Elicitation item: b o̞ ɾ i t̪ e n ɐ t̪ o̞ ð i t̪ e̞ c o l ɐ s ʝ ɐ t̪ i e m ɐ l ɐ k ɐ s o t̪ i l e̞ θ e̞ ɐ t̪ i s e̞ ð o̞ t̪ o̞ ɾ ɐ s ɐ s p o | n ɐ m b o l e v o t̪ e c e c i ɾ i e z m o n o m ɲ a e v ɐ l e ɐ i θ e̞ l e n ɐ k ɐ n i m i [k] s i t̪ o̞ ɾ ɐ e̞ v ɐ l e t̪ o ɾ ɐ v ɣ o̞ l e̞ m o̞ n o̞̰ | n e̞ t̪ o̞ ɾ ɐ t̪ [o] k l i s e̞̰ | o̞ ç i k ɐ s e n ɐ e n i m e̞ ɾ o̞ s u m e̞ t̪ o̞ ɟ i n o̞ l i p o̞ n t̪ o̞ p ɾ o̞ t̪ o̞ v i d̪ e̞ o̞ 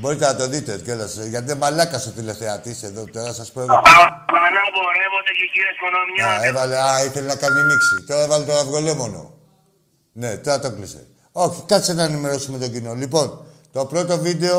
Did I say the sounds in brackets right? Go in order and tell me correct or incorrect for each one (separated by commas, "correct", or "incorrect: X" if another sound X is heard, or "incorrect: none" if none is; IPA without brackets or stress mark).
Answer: correct, correct